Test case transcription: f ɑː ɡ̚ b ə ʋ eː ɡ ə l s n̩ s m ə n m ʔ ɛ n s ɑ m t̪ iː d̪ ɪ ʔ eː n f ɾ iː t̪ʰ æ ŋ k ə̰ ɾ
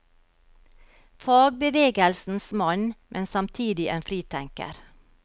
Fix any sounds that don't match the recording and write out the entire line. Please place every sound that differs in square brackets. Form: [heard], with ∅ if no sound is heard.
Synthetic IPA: f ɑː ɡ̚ b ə ʋ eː ɡ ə l s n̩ s m [ɑ] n m ʔ ɛ n s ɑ m [t̪ʰ] iː d̪ ɪ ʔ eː n f ɾ iː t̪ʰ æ ŋ k ə̰ ɾ

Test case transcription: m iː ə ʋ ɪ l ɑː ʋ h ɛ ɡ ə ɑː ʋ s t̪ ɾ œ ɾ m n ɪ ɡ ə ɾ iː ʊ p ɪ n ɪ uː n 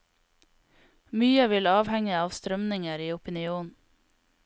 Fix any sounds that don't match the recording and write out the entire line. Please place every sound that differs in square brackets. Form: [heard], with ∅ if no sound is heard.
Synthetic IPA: m [yː] ə ʋ ɪ l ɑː ʋ h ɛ [ŋ] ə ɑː ʋ s t̪ ɾ œ [∅] m n ɪ [ŋ] ə ɾ iː ʊ p ɪ n ɪ uː n

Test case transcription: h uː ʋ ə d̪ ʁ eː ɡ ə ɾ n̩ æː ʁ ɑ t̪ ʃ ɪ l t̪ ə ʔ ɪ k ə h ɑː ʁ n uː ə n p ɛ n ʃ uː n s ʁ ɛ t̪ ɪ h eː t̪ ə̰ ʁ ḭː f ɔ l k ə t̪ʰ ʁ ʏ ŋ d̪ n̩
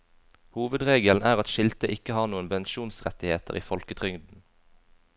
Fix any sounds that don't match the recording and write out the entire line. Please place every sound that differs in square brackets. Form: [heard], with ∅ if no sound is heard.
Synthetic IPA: h uː ʋ ə d̪ ʁ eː ɡ ə [l] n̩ æː ʁ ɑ t̪ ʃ ɪ l t̪ ə ʔ ɪ k ə h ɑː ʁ n uː ə n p ɛ n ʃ uː n s ʁ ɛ t̪ ɪ h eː t̪ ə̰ ʁ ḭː f ɔ l k ə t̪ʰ ʁ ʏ ŋ d̪ n̩

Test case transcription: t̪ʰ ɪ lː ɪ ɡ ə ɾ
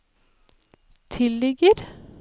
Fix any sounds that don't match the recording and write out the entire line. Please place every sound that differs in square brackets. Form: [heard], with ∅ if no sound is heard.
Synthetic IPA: t̪ʰ ɪ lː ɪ ɡ ə ɾ

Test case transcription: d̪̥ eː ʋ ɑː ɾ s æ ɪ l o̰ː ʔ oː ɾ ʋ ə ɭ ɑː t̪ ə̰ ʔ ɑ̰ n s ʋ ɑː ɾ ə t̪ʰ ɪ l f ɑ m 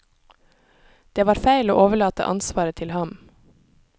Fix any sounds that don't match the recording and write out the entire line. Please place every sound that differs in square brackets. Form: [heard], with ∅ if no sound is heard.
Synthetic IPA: d̪̥ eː ʋ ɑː ɾ [f] æ ɪ l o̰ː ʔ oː [∅] ʋ ə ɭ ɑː t̪ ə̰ ʔ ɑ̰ n s ʋ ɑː ɾ ə t̪ʰ ɪ l [h] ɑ m

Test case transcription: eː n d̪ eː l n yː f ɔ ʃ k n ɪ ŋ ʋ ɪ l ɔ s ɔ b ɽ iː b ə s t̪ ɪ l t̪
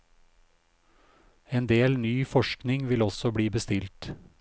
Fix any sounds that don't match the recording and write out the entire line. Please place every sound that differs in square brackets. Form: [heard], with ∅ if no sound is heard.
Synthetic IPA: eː n d̪ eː l n yː f ɔ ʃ k n ɪ ŋ ʋ ɪ l ɔ s ɔ b ɽ iː b ə s t̪ ɪ l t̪

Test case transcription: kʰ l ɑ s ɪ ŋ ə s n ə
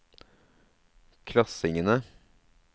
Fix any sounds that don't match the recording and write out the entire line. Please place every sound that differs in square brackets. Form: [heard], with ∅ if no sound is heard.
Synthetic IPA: kʰ l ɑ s ɪ ŋ ə [∅] n ə

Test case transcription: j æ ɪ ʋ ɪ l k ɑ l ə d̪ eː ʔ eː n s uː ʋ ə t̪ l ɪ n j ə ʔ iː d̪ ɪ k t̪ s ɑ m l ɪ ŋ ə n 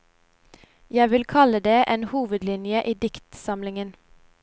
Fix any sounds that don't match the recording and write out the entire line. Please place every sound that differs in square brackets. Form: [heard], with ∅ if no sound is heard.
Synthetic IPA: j æ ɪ ʋ ɪ l [kʰ] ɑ l ə d̪ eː ʔ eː n [h] uː ʋ ə [d̪] l ɪ n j ə ʔ iː d̪ ɪ k t̪ s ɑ m l ɪ ŋ ə n

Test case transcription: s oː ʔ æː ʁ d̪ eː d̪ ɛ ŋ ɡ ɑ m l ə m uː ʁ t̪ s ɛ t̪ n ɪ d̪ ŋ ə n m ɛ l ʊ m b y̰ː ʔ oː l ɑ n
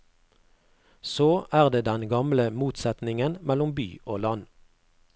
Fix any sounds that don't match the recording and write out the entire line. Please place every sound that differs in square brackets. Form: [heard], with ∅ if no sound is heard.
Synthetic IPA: s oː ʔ æː ʁ d̪ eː d̪ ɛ [n] ɡ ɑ m l ə m uː [∅] t̪ s ɛ t̪ n ɪ [∅] ŋ ə n m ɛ l ʊ m b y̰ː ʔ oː l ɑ n

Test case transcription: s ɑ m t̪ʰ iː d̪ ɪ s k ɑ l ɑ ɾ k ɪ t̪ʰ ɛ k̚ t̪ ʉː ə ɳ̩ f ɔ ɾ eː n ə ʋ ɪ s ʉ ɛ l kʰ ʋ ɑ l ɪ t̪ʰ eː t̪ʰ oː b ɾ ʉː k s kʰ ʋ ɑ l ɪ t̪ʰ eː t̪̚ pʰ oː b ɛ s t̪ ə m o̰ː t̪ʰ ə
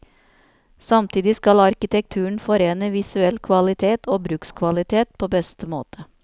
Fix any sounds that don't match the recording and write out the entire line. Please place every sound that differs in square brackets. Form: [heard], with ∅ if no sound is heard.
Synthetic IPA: s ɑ m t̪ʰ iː d̪ ɪ s k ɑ l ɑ ɾ k ɪ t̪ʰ ɛ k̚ [t̪ʰ] ʉː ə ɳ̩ f ɔ ɾ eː n ə ʋ ɪ s ʉ ɛ l kʰ ʋ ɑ l ɪ t̪ʰ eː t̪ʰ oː b ɾ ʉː k s kʰ ʋ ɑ l ɪ t̪ʰ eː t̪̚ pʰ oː b ɛ s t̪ ə m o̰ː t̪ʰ ə

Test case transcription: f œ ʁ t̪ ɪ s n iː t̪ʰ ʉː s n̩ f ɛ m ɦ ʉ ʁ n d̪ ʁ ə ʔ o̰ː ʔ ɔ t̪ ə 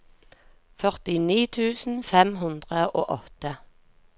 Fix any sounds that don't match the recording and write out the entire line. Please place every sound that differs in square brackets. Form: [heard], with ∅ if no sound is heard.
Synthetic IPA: f œ ʁ t̪ ɪ [∅] n iː t̪ʰ ʉː s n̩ f ɛ m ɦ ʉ [∅] n d̪ ʁ ə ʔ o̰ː ʔ ɔ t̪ ə

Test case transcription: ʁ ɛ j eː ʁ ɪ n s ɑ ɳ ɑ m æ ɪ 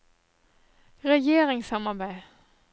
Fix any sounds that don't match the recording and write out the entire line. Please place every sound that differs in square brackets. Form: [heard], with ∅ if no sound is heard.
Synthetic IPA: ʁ ɛ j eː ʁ ɪ [ŋ] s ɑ [m] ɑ [b] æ ɪ

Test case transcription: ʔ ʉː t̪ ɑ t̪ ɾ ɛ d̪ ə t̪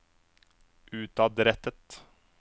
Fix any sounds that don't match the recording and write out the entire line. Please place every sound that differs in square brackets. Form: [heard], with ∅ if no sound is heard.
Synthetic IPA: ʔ ʉː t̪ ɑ [d̪] ɾ ɛ [t̪] ə t̪

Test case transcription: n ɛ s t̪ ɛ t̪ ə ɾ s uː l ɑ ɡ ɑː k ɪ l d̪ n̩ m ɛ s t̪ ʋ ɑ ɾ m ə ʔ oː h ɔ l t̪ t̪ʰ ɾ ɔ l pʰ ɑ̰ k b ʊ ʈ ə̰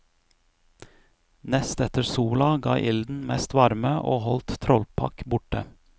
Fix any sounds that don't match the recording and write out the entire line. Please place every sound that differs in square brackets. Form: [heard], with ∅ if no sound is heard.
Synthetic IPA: n ɛ s t̪ ɛ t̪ ə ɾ s uː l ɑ ɡ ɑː [ʔ] ɪ l d̪ n̩ m ɛ s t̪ ʋ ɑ ɾ m ə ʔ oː h ɔ l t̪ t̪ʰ ɾ ɔ l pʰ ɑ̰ k b ʊ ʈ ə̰

